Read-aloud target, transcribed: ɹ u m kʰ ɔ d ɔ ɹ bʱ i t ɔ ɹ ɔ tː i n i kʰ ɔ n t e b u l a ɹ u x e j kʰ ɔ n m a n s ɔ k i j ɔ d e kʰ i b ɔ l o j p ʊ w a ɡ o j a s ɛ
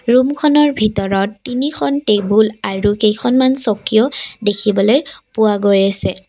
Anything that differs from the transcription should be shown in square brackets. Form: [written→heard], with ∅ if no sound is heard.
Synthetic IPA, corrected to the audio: ɹ u m kʰ ɔ [d→n] ɔ ɹ bʱ i t ɔ ɹ ɔ tː i n i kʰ ɔ n t e b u l a ɹ u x e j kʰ ɔ n m a n s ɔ k i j ɔ d e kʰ i b ɔ l o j p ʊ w a ɡ o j a s ɛ